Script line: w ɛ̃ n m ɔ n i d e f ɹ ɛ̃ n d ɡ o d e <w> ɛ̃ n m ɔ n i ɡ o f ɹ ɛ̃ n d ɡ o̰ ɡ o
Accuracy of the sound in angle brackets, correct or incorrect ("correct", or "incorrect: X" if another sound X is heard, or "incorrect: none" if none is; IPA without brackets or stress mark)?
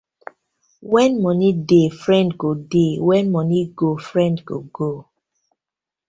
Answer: correct